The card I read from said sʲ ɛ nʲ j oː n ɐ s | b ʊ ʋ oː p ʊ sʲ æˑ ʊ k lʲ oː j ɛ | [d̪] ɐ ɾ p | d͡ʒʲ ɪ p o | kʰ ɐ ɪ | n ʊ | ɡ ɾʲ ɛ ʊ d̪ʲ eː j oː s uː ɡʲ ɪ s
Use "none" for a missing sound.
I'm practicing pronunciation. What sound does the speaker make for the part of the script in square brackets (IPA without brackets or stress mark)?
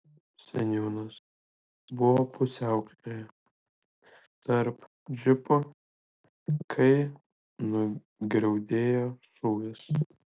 t̪